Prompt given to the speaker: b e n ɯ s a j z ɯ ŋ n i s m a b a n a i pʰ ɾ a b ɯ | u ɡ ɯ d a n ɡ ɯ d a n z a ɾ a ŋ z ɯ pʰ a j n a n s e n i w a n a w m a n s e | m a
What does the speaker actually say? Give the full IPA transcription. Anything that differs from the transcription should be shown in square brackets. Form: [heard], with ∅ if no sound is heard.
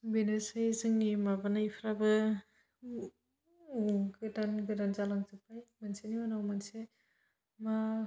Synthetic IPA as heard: b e n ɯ s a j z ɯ ŋ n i [∅] m a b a n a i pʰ ɾ a b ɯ | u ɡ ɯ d a n ɡ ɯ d a n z a [l] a ŋ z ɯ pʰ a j [m] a n s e n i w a n a w m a n s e | m a